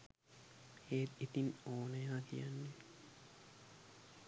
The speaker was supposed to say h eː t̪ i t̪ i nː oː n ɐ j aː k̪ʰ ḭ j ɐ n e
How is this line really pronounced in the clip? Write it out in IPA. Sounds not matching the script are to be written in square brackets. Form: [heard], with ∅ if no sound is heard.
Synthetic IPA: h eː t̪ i t̪ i [n] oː n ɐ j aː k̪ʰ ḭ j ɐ [nː] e